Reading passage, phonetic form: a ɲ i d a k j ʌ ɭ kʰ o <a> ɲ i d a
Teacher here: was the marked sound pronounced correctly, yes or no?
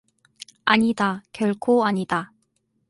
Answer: yes